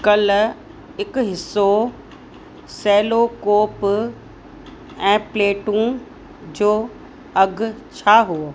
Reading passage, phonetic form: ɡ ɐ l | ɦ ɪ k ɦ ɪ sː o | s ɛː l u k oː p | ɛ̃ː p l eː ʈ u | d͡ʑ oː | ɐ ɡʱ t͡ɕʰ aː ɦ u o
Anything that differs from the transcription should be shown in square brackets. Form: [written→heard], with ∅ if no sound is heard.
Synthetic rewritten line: [ɡ→k] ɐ l | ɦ ɪ k ɦ ɪ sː o | s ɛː l [u→o] k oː p | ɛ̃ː p l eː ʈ [u→ũ] | d͡ʑ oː | ɐ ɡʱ t͡ɕʰ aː ɦ u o